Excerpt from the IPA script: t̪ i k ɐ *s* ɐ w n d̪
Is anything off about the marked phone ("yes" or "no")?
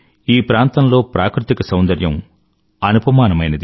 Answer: no